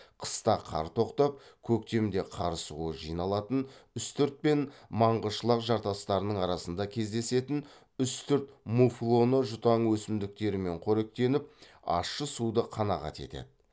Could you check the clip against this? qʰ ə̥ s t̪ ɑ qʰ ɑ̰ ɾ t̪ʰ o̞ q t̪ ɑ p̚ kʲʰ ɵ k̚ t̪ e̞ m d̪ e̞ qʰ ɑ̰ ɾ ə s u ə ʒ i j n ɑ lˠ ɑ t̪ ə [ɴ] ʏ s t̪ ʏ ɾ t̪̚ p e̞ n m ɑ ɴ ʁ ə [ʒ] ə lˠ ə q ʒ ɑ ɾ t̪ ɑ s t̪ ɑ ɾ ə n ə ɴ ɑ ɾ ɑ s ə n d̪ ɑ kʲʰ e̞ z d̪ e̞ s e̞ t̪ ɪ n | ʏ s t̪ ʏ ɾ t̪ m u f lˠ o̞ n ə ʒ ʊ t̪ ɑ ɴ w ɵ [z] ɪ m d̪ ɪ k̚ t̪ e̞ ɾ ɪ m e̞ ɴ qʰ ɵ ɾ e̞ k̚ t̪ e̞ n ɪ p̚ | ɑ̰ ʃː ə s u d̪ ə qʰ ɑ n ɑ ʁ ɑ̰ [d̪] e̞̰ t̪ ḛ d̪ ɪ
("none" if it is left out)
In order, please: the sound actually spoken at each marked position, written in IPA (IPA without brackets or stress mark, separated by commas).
n, ʃ, s, t̪